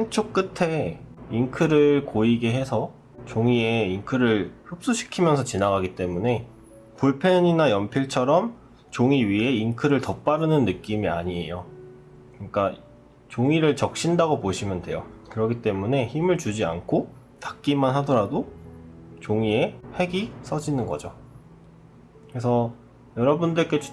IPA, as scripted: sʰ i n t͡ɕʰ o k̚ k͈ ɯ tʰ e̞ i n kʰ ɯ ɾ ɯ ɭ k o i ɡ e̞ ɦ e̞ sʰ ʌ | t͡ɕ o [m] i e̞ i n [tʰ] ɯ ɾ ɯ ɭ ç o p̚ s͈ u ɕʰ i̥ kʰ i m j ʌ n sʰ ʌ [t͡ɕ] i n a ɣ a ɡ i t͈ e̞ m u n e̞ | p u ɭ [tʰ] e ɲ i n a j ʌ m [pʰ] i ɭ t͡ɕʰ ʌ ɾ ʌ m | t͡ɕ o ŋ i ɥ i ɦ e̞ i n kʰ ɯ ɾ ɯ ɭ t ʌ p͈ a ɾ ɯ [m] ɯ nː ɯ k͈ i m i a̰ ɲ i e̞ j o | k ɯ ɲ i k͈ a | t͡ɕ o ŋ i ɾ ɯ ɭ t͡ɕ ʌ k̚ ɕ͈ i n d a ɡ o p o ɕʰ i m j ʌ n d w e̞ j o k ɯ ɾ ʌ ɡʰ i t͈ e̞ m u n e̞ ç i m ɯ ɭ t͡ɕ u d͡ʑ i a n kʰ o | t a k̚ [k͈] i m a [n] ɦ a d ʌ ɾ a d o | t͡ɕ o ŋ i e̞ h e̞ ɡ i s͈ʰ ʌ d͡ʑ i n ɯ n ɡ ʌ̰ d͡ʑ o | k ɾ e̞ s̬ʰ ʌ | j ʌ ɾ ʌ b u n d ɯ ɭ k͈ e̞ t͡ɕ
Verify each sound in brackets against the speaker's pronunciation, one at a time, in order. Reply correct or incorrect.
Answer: incorrect: ŋ, incorrect: kʰ, correct, incorrect: pʰ, correct, incorrect: n, correct, correct

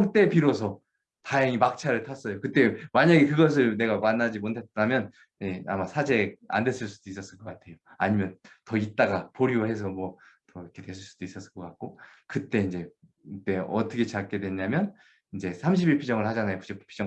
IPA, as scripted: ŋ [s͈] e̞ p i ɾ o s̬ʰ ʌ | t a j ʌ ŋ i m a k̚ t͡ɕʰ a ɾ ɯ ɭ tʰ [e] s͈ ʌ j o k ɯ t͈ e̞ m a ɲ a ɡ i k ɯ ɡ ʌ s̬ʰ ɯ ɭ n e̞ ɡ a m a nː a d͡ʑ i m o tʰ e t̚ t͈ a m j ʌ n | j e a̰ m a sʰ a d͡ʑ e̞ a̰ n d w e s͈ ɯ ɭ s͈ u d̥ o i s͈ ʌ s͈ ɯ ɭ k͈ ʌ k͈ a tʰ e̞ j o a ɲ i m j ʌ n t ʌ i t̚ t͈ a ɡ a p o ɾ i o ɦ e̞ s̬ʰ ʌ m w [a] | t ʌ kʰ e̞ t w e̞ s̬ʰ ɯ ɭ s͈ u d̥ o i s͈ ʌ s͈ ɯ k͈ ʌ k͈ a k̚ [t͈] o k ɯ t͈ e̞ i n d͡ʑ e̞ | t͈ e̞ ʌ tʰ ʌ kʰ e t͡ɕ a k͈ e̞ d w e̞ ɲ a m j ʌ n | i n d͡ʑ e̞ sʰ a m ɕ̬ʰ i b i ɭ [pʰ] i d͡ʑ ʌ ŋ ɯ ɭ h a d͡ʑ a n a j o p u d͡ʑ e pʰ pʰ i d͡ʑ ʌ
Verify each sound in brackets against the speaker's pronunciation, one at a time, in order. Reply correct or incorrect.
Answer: incorrect: t͈, incorrect: a, incorrect: ʌ, incorrect: k͈, correct

